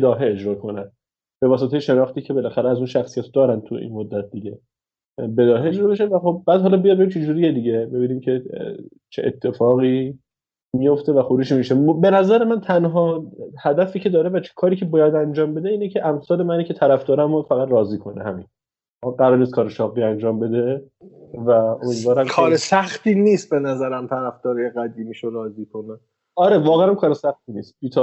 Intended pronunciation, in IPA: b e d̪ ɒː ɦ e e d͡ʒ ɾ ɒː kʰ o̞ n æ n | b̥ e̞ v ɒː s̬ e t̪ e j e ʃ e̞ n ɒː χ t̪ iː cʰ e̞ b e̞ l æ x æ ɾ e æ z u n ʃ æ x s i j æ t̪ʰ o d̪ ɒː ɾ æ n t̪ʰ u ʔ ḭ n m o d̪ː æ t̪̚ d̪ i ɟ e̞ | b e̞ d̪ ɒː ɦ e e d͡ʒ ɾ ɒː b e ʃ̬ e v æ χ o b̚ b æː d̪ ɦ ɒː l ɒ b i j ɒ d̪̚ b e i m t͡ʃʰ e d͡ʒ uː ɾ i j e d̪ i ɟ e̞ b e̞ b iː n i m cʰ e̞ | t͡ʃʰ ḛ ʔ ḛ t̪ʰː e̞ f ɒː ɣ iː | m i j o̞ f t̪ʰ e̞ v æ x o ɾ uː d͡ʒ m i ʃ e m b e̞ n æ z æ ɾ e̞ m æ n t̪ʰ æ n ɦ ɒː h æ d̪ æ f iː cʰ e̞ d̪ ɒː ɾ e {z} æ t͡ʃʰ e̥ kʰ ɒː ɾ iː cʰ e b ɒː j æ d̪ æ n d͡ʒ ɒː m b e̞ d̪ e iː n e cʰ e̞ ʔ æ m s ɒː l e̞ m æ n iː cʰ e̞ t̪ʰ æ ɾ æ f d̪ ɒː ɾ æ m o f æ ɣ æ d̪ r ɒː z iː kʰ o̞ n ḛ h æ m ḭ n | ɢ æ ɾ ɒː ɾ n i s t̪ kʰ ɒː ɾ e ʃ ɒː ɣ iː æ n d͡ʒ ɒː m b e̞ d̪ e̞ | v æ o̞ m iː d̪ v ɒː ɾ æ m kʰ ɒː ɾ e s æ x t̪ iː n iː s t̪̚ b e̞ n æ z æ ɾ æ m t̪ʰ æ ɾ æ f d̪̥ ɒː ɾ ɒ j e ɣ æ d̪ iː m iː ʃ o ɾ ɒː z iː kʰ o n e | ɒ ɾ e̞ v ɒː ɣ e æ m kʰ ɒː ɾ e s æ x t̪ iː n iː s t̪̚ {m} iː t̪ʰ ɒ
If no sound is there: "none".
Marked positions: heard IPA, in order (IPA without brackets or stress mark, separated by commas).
v, b